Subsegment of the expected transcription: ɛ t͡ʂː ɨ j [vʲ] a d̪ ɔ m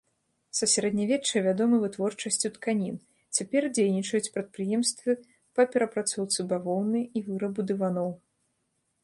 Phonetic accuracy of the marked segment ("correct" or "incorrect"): correct